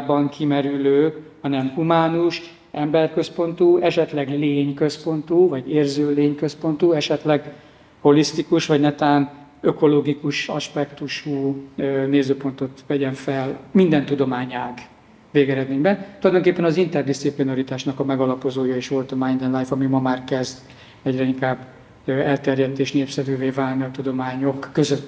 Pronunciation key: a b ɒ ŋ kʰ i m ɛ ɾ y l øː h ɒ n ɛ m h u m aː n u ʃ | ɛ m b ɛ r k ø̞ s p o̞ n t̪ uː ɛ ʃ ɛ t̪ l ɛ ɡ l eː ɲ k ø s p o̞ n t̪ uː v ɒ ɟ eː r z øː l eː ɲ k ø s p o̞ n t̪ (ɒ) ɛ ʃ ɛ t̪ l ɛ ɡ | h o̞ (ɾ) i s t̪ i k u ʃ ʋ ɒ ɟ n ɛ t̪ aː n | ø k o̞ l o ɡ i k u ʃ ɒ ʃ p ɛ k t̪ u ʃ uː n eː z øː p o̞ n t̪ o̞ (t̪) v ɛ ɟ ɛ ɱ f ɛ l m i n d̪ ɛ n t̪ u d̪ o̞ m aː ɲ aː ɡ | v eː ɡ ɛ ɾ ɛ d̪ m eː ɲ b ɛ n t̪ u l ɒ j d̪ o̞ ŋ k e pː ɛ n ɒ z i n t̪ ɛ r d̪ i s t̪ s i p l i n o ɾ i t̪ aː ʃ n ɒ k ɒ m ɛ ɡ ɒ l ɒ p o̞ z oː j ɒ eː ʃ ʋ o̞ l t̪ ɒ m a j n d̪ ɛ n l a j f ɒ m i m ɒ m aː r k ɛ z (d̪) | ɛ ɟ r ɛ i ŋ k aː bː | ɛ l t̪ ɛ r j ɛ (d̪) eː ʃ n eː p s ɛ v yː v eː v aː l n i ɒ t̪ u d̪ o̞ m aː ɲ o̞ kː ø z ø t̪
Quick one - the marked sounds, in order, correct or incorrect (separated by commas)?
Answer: incorrect, incorrect, correct, correct, incorrect